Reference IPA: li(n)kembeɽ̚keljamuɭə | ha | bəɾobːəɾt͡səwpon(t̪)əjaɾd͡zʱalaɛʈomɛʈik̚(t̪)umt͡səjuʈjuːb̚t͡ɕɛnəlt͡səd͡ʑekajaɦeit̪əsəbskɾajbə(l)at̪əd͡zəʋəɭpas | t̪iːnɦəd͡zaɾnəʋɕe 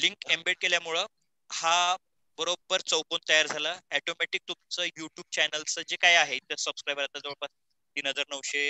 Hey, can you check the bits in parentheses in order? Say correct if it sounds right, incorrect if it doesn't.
incorrect: ŋ, correct, correct, incorrect: ɾ

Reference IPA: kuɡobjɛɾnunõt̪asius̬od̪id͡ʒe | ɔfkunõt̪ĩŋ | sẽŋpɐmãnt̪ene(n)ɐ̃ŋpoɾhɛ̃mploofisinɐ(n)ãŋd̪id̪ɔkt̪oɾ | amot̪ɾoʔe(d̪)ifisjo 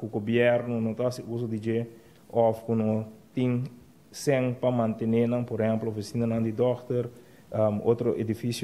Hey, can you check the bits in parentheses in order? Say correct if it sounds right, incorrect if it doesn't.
correct, correct, correct

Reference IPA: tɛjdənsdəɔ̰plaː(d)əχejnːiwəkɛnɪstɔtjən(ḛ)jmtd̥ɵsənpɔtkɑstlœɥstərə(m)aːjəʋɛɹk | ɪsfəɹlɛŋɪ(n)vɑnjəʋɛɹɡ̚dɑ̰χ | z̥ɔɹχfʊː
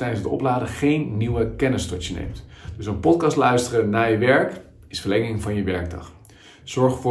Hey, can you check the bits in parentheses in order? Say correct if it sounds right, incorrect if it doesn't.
correct, correct, incorrect: n, incorrect: ŋ

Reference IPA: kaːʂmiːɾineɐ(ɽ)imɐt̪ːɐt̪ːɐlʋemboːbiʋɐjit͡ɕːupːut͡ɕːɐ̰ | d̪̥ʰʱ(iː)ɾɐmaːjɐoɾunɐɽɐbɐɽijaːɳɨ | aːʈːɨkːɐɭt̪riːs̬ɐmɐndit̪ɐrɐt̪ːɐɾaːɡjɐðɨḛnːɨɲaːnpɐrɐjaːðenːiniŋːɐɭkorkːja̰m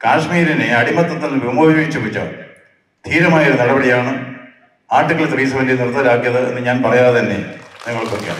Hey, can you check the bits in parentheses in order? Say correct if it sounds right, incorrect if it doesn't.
correct, correct

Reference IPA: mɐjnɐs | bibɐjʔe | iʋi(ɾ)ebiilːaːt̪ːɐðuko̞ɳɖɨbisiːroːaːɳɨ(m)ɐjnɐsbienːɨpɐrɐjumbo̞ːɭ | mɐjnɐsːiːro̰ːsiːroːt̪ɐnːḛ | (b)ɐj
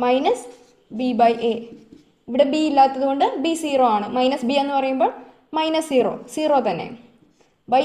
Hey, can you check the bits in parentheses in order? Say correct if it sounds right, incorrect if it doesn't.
incorrect: ɽ, correct, correct

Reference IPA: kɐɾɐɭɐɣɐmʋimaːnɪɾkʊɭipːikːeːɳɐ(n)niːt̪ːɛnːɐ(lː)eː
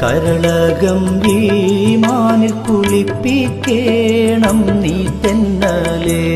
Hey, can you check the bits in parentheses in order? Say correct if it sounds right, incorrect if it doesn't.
incorrect: m, incorrect: l

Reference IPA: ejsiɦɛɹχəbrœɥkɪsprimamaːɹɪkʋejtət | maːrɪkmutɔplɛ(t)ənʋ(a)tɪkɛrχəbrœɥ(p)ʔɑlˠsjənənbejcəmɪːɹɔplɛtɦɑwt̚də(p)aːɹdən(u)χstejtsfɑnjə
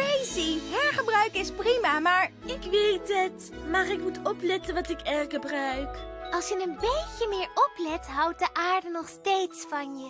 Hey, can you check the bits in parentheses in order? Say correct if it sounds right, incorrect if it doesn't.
correct, incorrect: ɑ, incorrect: k, incorrect: ʔ, incorrect: ɔ

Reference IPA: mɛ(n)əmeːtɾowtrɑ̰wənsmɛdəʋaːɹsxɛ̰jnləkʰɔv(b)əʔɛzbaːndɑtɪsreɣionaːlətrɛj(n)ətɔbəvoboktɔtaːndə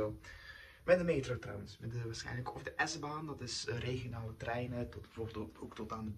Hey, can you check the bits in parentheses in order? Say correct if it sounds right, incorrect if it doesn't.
incorrect: d, incorrect: d, correct

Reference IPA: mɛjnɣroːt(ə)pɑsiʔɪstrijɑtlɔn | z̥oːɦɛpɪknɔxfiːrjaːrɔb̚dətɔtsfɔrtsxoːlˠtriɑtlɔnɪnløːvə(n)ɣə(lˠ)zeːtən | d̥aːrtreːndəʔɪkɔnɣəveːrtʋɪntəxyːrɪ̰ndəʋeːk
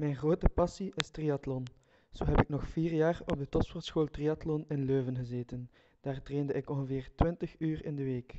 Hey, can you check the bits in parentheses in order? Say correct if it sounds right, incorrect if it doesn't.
correct, correct, incorrect: none

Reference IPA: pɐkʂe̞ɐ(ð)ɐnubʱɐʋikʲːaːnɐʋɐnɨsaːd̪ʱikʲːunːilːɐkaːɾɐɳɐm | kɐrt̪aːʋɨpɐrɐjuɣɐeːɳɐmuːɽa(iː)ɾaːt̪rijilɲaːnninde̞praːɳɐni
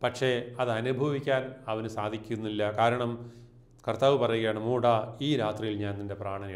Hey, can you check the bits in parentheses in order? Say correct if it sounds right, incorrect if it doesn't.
correct, correct

